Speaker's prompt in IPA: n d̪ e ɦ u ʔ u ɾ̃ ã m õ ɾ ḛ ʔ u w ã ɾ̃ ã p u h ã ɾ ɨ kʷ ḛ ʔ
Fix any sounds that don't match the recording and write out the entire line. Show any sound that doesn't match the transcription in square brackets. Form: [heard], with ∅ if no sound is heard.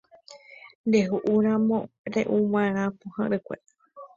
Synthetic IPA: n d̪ e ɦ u ʔ u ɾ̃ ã m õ ɾ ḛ ʔ u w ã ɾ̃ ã p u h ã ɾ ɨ kʷ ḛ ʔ